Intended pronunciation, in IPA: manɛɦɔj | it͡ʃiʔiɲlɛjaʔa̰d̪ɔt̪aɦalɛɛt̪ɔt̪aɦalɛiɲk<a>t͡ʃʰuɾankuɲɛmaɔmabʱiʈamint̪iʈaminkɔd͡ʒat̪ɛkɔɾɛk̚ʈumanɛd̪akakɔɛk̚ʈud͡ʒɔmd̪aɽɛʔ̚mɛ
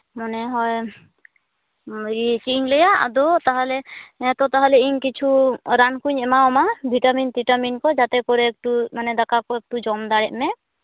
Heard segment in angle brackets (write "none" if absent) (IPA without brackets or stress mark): i